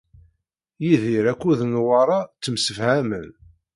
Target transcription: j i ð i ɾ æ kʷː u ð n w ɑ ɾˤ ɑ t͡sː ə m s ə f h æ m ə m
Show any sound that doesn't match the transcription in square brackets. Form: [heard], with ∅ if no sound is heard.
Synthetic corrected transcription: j i ð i ɾ æ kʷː u ð n w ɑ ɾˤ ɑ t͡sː ə m s ə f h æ m ə [n]